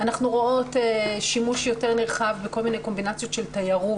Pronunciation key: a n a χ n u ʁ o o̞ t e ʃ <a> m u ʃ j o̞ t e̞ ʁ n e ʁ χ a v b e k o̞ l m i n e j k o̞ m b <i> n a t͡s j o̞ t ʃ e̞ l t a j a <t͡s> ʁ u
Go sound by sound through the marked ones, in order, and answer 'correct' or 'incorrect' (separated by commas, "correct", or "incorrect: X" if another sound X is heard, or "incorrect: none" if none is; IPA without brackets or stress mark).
incorrect: i, correct, incorrect: none